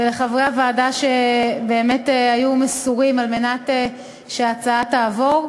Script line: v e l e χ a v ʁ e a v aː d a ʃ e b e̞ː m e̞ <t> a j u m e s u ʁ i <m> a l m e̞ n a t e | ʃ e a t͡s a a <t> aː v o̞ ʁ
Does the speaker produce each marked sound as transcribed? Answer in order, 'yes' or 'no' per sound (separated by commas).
yes, yes, yes